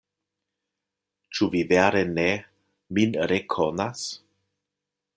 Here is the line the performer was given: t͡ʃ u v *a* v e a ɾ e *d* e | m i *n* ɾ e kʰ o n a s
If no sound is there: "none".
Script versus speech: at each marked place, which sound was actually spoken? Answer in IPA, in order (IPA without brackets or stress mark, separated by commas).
i, n, n